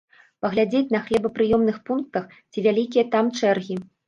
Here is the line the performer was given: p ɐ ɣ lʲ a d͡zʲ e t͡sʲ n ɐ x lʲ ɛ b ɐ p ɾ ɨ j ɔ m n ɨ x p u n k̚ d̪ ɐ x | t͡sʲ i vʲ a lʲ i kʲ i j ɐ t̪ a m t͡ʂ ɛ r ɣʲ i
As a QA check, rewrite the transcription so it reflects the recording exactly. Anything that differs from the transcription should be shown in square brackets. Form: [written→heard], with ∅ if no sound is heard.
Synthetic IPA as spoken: p ɐ ɣ lʲ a d͡zʲ e t͡sʲ n ɐ x lʲ ɛ b ɐ p ɾ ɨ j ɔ m n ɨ x p u n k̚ [d̪→t̪] ɐ x | t͡sʲ i vʲ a lʲ i kʲ i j ɐ t̪ a m t͡ʂ ɛ r ɣʲ i